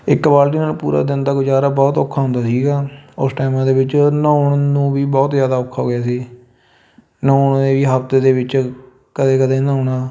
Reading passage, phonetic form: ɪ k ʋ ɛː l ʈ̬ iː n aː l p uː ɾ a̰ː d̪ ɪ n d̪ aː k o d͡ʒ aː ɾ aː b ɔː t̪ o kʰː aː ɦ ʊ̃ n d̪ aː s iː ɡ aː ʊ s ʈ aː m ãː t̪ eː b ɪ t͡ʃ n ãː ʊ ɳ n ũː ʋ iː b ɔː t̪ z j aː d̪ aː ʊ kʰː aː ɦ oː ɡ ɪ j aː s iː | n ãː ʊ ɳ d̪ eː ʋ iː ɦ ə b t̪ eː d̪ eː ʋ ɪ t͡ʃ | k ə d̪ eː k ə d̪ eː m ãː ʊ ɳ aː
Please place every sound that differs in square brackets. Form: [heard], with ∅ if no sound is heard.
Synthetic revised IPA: ɪ k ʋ [aː] l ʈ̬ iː n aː l p uː ɾ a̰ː d̪ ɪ n d̪ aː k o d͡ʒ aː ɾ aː b ɔː t̪ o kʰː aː ɦ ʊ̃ n d̪ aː s iː ɡ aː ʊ s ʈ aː m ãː [d̪] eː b ɪ t͡ʃ n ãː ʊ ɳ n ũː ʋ iː b ɔː t̪ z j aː d̪ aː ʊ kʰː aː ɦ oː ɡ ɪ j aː s iː | n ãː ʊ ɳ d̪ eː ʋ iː ɦ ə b t̪ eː d̪ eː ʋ ɪ t͡ʃ | k ə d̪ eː k ə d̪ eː [n] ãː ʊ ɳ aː